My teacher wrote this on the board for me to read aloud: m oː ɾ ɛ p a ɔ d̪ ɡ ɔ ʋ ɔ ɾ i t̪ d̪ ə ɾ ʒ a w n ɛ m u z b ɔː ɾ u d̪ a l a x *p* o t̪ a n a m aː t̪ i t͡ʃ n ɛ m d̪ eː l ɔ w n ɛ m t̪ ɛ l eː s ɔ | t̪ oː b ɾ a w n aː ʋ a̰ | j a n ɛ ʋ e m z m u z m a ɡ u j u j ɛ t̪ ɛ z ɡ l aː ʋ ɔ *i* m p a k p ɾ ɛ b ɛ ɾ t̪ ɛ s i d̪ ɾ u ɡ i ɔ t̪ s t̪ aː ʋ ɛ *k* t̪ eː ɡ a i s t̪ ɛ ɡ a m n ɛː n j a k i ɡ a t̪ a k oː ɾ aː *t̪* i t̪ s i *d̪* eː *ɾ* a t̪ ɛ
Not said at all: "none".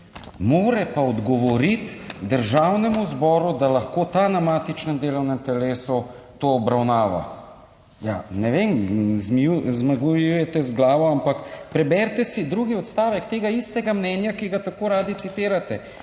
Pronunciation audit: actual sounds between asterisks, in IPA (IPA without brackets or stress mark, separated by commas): k, a, k, d̪, t̪, ɾ